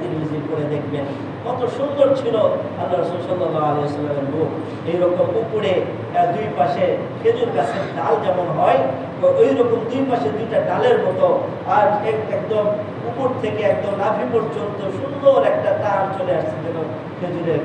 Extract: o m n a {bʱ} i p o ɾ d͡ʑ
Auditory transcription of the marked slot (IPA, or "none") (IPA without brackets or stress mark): bʱ